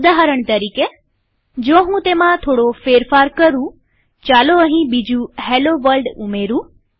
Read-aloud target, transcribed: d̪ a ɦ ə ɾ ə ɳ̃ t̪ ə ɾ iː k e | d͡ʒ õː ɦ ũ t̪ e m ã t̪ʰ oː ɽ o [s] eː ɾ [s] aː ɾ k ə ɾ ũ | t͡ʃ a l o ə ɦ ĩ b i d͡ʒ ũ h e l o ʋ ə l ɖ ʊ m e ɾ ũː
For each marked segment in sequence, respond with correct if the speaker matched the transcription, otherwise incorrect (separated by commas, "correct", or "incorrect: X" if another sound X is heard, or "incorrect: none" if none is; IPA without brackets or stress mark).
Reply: incorrect: f, incorrect: f